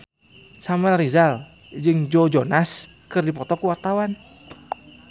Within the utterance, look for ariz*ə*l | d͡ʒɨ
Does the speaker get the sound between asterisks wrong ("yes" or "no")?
yes